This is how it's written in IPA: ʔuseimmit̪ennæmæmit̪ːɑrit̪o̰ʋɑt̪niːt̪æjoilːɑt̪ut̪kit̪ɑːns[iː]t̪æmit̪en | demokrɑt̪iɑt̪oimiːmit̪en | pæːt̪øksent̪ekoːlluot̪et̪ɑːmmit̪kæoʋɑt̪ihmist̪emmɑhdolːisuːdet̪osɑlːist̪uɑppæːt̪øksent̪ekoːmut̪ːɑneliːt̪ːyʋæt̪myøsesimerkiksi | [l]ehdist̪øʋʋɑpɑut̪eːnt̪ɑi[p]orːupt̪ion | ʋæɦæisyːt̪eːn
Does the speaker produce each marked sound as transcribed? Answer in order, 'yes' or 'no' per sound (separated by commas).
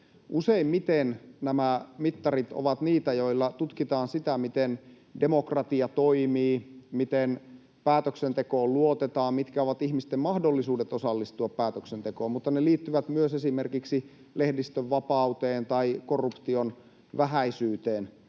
no, yes, no